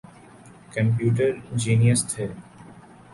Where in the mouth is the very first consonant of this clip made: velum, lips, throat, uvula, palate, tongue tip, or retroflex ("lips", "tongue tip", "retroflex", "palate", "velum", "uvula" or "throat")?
velum